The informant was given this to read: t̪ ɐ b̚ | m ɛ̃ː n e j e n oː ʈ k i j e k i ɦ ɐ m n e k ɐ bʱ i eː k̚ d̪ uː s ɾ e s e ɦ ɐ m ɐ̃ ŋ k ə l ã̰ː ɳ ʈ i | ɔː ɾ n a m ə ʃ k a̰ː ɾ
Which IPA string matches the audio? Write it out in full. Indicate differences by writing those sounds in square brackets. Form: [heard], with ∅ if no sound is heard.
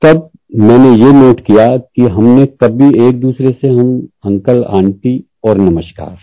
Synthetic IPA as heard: t̪ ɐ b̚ | m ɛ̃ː n e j e n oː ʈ k i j [a] k i ɦ ɐ m n e k ɐ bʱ i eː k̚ d̪ uː s ɾ e s e ɦ ɐ m ɐ̃ ŋ k ə l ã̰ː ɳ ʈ i | ɔː ɾ n [ɐ] m ə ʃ k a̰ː ɾ